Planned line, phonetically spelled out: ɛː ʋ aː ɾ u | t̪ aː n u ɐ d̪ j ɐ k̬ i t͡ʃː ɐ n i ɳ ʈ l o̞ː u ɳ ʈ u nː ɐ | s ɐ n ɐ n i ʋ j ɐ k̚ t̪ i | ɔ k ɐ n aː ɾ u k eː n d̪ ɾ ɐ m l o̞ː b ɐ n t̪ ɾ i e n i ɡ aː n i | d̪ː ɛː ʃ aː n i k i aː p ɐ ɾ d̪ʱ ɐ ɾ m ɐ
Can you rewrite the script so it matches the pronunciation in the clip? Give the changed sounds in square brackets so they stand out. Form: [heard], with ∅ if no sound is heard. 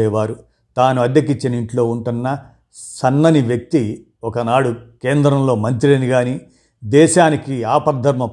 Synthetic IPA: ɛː ʋ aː ɾ u | t̪ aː n u ɐ d̪ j ɐ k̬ i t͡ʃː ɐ n i ɳ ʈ l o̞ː u ɳ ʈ u nː ɐ | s ɐ [nː] ɐ n i ʋ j ɐ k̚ t̪ i | ɔ k ɐ n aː [ɽ] u k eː n d̪ ɾ ɐ m l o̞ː [m] ɐ n t̪ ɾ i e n i ɡ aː n i | [d̪] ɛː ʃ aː n i k i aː p ɐ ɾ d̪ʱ ɐ ɾ m ɐ